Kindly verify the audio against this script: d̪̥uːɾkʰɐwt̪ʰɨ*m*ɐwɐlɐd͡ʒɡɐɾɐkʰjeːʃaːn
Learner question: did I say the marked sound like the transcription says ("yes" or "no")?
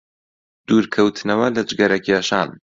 no